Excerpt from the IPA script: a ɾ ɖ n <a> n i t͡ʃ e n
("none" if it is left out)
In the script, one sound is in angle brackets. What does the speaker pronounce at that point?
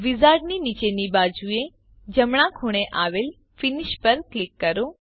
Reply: i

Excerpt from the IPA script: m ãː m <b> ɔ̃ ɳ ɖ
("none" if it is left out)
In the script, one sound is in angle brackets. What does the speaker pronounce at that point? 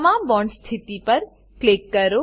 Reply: b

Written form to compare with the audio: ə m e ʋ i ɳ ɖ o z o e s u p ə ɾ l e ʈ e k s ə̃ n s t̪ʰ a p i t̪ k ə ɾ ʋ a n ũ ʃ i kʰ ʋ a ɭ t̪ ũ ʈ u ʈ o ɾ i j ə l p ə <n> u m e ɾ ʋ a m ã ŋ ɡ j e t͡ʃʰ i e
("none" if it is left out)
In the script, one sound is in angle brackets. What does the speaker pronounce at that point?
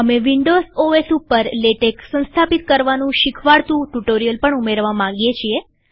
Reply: ɳ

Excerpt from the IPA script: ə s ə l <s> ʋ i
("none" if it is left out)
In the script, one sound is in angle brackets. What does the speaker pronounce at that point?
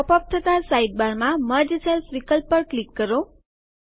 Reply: s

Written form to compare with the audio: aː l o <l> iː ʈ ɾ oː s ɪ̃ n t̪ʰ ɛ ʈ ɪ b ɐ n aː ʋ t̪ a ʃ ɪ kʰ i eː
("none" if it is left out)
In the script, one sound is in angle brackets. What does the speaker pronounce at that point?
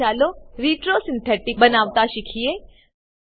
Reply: ɾ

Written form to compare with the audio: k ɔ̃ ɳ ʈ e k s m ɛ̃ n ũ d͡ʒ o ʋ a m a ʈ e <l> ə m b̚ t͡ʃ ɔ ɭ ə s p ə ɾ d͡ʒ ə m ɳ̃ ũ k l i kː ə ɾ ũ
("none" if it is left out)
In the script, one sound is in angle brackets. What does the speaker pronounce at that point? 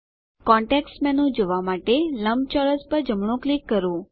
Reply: l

